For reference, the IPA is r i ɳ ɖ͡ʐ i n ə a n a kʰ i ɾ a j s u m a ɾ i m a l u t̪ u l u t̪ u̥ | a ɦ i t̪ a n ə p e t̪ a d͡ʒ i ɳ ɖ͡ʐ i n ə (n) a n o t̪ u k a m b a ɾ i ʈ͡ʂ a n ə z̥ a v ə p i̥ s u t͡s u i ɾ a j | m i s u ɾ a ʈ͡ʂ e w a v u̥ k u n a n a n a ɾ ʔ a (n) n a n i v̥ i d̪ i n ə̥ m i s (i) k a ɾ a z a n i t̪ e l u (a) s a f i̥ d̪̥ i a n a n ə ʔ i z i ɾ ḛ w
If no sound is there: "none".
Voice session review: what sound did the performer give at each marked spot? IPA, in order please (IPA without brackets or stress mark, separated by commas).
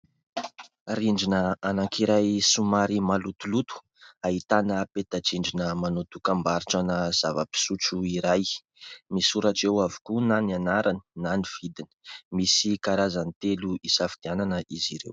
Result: m, n, i, i